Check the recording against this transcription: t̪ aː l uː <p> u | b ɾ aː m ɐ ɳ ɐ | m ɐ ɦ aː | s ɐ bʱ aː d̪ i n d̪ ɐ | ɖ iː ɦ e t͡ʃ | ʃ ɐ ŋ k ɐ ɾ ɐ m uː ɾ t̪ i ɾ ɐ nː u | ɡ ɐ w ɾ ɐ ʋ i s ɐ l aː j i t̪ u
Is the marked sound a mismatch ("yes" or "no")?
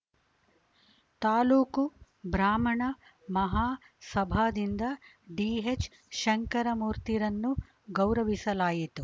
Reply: yes